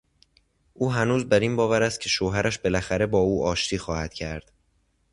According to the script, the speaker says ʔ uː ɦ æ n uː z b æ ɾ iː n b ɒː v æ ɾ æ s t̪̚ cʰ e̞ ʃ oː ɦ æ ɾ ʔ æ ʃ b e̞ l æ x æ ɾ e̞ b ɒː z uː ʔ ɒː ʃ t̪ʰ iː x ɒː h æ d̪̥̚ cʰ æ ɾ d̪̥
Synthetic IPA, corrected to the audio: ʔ uː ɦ æ n uː z b æ ɾ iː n b ɒː v æ ɾ æ s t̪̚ cʰ e̞ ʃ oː ɦ æ ɾ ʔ æ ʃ b e̞ l æ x æ ɾ e̞ b ɒː uː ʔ ɒː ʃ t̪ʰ iː x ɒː h æ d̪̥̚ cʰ æ ɾ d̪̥